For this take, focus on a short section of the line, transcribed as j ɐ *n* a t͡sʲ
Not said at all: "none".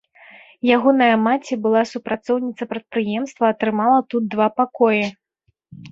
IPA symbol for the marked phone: m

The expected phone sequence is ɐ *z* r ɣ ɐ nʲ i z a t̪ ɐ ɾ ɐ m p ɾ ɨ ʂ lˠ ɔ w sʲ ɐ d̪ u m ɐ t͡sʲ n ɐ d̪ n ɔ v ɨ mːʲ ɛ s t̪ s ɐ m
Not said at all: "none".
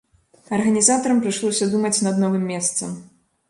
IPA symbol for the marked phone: none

